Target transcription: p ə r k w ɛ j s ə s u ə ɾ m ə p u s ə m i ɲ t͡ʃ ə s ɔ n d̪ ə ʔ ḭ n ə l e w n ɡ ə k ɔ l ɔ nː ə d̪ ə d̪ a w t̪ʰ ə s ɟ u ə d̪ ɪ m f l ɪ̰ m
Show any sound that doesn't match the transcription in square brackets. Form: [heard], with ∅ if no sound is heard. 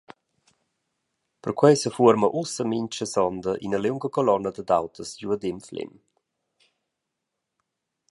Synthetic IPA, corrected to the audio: p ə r k w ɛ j s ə [f] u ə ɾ m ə [ʔ] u s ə m i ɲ t͡ʃ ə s ɔ n d̪ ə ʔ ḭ n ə l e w [ŋ] ɡ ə k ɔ l ɔ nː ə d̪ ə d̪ a w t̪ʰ ə s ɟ u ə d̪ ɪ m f l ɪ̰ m